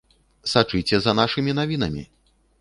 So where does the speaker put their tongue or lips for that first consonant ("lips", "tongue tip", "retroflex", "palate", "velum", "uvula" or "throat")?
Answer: tongue tip